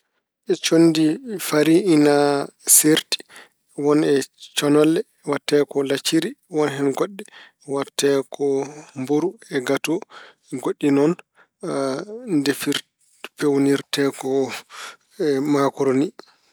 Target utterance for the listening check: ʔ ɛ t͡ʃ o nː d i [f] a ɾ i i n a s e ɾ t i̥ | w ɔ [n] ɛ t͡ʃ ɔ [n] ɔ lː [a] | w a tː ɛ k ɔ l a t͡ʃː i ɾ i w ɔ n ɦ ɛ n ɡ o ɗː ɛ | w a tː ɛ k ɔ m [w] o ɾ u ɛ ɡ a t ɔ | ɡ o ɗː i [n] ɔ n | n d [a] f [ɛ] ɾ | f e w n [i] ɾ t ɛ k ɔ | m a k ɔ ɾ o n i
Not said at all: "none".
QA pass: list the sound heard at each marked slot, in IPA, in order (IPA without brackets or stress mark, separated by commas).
f, n, n, ɛ, b, n, e, i, i